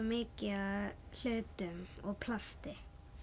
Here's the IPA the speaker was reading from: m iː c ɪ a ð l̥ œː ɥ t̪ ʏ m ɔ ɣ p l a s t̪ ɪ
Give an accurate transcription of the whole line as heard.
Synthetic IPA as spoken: m ɪː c ɪ a ð l̥ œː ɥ t̪ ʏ m ɔ ɣ pʰ l a s t̪ ɪ

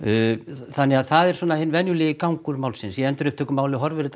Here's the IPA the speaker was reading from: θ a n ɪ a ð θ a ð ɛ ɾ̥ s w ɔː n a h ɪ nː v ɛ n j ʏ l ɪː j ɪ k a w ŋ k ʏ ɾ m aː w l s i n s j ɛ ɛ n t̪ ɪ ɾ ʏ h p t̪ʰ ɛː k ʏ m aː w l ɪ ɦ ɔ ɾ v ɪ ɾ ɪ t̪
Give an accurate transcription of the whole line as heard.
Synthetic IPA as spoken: θ a nː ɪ a ð θ a ð ɛ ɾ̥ s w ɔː n a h ɪ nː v ɛ n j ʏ l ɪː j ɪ k a w ŋ k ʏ ɾ m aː w l s ɪ n s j ɛ ɛ n t̪ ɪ ɾ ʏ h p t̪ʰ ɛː k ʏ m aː w l ɪ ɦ ɔ ɾ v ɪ ɾ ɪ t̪

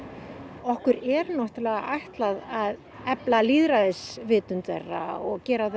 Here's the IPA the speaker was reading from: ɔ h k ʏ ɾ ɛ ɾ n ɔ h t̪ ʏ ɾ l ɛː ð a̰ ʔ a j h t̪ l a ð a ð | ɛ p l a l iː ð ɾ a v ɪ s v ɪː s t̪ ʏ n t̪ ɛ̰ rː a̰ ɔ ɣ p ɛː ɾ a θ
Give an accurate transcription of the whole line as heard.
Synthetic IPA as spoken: ɔ h k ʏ ɾ ɛ ɾ n ɔ h t̪ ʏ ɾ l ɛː ɣ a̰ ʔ a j h t̪ l a ð a ð | ɛ p l a l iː ð ɾ a ð ɪ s v ɪː t̪ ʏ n t̪ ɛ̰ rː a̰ ɔ ɣ c ɛː ɾ a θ

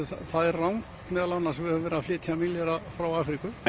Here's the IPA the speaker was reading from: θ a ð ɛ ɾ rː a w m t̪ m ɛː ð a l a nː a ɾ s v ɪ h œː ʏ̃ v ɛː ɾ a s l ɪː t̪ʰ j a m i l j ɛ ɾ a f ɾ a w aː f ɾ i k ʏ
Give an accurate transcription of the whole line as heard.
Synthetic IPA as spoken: θ a ð ɛ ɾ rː a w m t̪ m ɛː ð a l a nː a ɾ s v ɪ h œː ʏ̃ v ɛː ɾ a f l ɪː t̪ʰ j a m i l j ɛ ɾ a f ɾ a w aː f ɾ i k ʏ

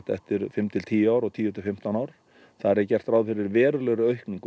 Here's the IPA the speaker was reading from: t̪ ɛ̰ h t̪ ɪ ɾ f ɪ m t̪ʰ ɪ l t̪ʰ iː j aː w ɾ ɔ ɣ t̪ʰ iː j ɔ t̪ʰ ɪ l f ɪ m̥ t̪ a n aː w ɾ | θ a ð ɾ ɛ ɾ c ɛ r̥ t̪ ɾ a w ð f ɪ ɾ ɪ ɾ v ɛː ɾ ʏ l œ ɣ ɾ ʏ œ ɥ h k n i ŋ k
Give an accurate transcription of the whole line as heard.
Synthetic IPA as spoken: t̪ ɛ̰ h t̪ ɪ ɾ f ɪ m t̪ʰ ɪ l t̪ʰ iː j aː w ɾ ɔ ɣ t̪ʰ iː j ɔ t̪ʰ ɪ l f ɪ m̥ t̪ a n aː w ɾ | θ a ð ɾ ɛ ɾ c ɛ r̥ t̪ ɾ a w ð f ɪ ɾ ɪ ɾ v ɛː ɾ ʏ l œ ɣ ɾ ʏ œ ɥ h k n i ŋ k

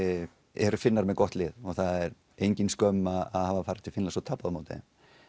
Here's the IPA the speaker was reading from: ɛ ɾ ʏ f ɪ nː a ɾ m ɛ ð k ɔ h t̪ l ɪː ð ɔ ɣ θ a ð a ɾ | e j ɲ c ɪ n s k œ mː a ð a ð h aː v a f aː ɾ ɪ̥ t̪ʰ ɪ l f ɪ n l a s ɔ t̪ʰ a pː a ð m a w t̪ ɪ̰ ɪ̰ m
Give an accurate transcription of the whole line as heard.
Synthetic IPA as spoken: ɛ ɾ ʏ f ɪ nː a ɾ m ɛ ð k ɔ h t̪ l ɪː ð ɔ ɣ θ a ð ɛ ɾ | e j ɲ c ɪ n s k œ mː a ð a ð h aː v a f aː ɾ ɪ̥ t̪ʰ ɪ l f ɪ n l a s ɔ t̪ʰ a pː a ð m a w t̪ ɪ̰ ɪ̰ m

